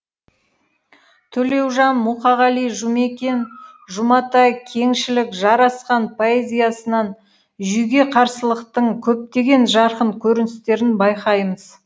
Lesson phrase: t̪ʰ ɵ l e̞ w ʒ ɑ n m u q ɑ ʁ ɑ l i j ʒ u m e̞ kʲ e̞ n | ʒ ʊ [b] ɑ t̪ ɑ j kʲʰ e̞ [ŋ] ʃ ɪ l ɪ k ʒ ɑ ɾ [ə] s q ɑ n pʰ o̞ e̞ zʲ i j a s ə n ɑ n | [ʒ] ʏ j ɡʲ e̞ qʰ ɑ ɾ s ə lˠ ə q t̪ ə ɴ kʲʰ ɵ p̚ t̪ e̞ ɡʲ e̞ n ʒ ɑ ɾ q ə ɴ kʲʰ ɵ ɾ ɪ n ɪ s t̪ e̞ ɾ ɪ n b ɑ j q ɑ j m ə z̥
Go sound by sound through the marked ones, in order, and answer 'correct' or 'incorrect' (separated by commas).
incorrect, correct, incorrect, correct